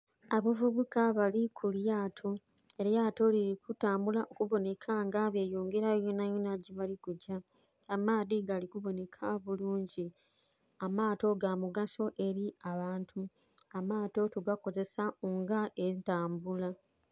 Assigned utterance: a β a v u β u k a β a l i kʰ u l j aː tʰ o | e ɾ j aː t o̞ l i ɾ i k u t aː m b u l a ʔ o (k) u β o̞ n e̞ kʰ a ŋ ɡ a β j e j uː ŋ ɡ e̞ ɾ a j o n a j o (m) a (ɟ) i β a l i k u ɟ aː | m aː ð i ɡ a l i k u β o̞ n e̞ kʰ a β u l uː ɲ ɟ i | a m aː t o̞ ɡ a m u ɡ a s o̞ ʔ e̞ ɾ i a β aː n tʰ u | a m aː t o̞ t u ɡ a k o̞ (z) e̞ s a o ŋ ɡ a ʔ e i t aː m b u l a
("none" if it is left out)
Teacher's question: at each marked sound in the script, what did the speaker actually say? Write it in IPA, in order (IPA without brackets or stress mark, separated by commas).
k, n, ɟ, z